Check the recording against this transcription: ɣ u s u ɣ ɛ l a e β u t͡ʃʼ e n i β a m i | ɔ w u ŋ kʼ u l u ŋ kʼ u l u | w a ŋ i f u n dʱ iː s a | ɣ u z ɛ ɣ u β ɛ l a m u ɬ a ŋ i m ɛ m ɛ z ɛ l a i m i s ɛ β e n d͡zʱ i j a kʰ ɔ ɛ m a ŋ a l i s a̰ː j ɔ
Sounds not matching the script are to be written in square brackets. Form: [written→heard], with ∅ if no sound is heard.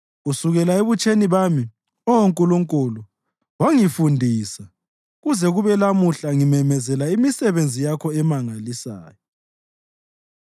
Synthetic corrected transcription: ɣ u s u ɣ ɛ l a e β u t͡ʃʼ e n i β a m i | ɔ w [u→o] ŋ kʼ u l u ŋ kʼ u l u | w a ŋ i f u n dʱ iː s a | ɣ u z ɛ ɣ u β ɛ l a m u ɬ a ŋ i m ɛ m ɛ z ɛ l a i m i s ɛ β e n d͡zʱ i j a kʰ ɔ ɛ m a ŋ a l i s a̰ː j ɔ